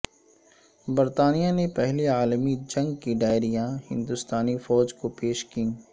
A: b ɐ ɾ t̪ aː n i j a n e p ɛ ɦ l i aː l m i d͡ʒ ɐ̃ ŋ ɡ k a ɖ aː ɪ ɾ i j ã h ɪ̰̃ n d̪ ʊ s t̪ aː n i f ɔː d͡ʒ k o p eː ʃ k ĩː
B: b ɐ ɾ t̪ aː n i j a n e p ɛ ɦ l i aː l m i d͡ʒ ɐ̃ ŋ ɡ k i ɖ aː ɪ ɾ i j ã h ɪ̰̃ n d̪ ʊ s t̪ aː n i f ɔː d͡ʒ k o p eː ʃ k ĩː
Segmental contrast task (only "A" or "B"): B